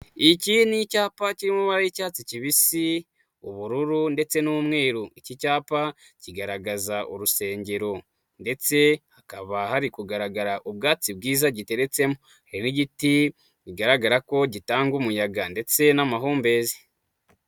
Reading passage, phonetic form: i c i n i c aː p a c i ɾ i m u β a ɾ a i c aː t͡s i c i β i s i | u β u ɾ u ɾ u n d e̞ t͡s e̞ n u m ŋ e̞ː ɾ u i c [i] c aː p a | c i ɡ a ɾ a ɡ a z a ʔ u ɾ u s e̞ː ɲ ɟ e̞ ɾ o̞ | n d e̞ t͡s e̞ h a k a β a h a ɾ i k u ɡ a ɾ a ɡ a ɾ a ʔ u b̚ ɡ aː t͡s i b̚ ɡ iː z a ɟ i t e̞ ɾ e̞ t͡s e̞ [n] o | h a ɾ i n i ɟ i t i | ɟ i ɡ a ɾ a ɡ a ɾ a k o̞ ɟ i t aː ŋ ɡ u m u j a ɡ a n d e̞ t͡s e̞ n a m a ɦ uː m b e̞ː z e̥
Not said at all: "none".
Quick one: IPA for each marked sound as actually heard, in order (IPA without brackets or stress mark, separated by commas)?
i, m